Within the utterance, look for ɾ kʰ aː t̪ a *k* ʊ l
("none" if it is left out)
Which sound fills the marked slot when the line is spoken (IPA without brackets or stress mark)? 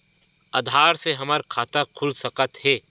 kʰ